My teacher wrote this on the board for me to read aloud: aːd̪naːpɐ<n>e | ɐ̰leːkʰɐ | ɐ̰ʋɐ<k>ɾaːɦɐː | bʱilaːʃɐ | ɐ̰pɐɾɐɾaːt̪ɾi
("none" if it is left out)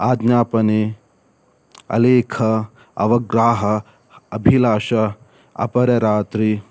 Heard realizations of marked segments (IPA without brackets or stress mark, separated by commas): n, ɡ